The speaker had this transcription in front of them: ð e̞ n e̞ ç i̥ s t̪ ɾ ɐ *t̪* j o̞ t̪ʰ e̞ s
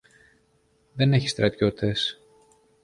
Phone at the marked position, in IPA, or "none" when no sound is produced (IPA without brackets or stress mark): t̪